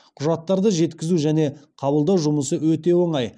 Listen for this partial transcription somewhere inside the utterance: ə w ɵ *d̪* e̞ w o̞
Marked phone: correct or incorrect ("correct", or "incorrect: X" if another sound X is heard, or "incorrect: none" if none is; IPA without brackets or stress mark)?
incorrect: t̪